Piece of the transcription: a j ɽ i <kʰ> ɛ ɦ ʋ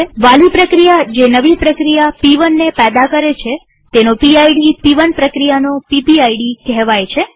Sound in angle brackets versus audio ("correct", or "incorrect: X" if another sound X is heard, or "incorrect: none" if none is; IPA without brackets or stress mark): incorrect: k